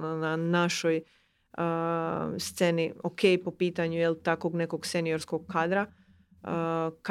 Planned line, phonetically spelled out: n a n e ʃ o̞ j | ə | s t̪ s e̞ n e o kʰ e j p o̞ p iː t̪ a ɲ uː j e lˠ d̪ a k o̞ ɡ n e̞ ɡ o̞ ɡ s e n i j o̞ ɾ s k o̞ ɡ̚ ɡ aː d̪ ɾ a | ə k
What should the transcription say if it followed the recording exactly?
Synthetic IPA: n a n a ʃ o̞ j | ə | s t̪ s e̞ n i o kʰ e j p o̞ p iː t̪ a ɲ u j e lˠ t̪ a k o̞ ɡ n e̞ k o̞ ɡ s e n i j o̞ ɾ s k o̞ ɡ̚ k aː d̪ ɾ a | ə k